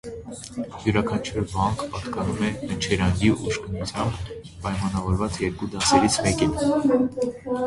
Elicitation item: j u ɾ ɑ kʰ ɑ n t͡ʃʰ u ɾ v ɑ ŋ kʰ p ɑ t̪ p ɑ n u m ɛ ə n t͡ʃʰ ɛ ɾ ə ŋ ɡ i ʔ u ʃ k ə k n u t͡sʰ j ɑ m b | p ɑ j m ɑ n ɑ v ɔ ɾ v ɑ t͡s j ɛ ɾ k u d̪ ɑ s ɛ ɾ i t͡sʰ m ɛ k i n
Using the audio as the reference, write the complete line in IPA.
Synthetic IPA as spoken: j u ɾ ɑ kʰ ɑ n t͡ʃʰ u ɾ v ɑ ŋ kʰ p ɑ t̪ k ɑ n u m ɛ ə n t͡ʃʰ ɛ ɾ ɑ ŋ ɡ i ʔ u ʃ k ə n u t͡sʰ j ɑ m b | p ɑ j m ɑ n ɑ v ɔ ɾ v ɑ t͡s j ɛ ɾ k u d̪ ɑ s ɛ ɾ i t͡sʰ m ɛ k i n